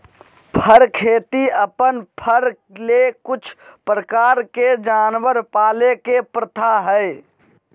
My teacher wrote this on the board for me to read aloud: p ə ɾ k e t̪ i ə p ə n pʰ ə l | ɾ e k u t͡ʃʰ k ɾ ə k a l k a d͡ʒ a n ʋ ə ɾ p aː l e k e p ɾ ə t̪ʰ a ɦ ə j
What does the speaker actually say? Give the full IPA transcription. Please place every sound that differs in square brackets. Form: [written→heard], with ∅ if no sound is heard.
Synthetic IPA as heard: [p→pʰ] ə ɾ [k→kʰ] e t̪ i ə p ə n pʰ ə [l→ɾ] | [ɾ→l] e k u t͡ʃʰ [k→p] ɾ ə k a [l→ɾ] k [a→e] d͡ʒ a n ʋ ə ɾ p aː l e k e p ɾ ə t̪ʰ a ɦ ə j